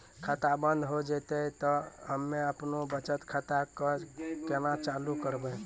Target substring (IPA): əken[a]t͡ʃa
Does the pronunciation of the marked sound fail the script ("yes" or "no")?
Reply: no